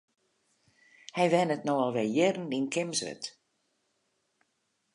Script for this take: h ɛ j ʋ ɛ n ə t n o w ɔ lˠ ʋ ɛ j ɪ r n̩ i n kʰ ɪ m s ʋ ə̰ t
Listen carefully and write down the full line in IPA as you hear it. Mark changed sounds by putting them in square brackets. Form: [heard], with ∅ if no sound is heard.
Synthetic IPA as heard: h ɛ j ʋ ɛ n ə t n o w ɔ lˠ ʋ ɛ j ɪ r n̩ i n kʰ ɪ m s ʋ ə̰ t